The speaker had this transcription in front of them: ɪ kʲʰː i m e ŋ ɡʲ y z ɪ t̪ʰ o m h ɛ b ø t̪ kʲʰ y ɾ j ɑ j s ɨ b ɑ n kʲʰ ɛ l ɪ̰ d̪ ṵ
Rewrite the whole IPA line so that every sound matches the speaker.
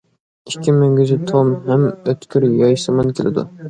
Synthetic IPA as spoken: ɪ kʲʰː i m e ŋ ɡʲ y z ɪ t̪ʰ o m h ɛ m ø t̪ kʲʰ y ɾ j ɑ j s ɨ m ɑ n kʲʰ e l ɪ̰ d̪ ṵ